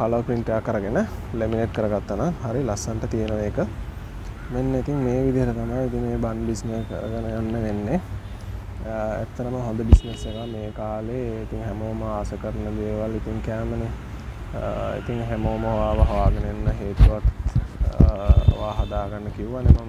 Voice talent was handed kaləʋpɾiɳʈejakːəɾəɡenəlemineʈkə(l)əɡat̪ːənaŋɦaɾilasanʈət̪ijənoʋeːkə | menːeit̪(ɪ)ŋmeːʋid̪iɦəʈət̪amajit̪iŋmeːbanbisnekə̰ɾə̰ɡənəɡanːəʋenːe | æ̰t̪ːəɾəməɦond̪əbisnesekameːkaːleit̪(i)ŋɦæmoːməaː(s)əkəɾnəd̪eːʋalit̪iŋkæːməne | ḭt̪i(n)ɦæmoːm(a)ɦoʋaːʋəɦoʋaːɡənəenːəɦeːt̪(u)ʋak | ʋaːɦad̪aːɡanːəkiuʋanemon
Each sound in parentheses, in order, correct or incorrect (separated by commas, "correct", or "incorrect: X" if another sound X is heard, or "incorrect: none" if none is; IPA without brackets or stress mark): incorrect: ɾ, incorrect: i, correct, correct, incorrect: ŋ, incorrect: ə, correct